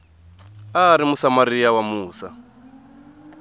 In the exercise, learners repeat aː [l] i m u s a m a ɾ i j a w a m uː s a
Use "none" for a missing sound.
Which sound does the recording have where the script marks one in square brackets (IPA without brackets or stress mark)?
ɾ